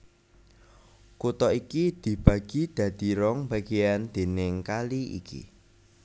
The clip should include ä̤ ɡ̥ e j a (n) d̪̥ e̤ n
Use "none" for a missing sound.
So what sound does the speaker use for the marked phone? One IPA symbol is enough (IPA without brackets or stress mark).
n